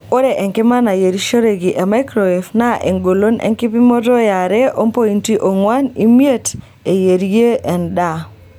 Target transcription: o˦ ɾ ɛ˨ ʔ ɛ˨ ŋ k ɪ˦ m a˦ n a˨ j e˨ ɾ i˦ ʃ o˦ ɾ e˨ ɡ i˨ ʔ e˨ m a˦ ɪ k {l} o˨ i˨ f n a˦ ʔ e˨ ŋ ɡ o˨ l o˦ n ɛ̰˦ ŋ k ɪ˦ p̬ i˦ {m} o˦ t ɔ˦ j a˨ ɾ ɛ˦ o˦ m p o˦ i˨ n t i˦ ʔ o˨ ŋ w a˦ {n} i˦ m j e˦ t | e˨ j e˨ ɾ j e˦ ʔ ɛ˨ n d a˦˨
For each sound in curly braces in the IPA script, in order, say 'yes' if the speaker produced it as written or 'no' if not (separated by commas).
no, yes, yes